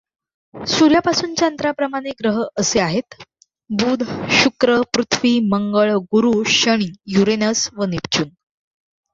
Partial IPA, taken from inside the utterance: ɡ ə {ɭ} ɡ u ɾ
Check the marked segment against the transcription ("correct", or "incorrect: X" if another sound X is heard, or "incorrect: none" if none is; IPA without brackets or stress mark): correct